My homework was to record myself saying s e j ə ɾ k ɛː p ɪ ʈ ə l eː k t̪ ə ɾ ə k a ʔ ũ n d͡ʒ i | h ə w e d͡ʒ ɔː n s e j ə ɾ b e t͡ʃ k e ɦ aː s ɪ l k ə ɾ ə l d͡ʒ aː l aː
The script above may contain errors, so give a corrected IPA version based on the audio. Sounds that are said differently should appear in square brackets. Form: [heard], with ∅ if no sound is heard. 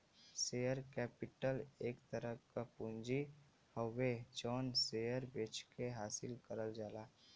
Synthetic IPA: s e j ə ɾ k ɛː p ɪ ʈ ə l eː k t̪ ə ɾ ə k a [p] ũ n d͡ʒ i | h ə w e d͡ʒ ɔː n s e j ə ɾ b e t͡ʃ k e ɦ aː s ɪ l k ə ɾ ə l d͡ʒ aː l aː